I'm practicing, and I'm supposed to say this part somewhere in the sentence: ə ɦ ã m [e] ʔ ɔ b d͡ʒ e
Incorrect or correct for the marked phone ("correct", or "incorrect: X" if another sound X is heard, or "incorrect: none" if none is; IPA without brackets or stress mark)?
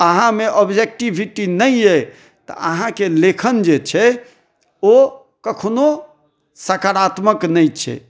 correct